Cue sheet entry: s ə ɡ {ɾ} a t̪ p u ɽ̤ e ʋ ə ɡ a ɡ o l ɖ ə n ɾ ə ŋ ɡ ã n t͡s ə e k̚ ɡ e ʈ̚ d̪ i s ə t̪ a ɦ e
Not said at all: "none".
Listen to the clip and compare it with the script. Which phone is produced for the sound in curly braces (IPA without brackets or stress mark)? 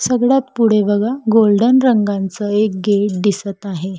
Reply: ɭ